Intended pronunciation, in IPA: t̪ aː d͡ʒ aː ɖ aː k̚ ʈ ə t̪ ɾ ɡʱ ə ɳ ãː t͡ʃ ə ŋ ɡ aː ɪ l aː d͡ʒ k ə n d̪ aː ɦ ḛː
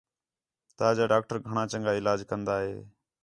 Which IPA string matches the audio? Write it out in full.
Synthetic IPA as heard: t̪ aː d͡ʒ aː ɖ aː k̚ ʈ ə ɾ ɡʱ ə ɳ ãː t͡ʃ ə ŋ ɡ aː ɪ l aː d͡ʒ k ə n d̪ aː ɦ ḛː